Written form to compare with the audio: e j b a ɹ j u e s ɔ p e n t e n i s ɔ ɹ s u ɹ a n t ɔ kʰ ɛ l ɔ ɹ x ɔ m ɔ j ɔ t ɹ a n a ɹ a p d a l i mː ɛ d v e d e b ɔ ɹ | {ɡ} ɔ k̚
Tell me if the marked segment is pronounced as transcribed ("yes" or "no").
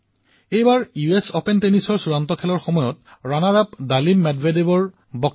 no